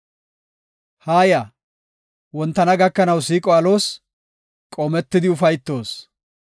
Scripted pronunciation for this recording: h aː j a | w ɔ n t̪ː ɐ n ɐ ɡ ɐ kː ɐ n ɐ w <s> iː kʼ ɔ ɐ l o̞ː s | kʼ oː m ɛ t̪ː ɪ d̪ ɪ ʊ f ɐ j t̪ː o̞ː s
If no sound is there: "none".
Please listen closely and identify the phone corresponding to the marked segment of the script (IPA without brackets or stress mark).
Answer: s